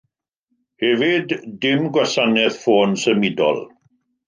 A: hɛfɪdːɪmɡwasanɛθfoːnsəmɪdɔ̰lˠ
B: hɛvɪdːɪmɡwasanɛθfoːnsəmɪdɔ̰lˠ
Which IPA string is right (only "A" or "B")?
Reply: B